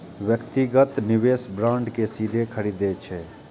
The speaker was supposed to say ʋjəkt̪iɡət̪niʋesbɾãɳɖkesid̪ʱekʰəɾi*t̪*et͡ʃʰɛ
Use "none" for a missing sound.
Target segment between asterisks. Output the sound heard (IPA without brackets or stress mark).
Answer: d̪